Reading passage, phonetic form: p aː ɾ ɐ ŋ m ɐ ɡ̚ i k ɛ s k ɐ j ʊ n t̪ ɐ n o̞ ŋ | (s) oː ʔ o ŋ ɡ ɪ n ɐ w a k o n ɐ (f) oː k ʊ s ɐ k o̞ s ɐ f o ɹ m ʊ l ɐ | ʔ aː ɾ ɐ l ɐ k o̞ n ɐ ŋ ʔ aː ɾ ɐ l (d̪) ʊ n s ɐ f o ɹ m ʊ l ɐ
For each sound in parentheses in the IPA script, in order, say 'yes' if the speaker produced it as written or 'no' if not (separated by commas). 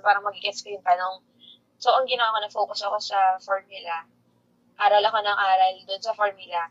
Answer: yes, yes, yes